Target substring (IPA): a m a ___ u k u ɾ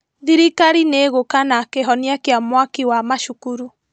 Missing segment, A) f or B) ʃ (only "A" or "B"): B